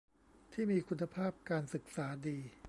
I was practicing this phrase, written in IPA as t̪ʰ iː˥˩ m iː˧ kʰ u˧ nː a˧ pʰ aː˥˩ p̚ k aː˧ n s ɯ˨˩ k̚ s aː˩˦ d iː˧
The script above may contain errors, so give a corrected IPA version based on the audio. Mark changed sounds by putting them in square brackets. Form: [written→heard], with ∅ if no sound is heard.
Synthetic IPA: t̪ʰ iː˥˩ m iː˧ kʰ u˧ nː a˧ pʰ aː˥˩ p̚ k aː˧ n s ɯ˨˩ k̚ s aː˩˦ d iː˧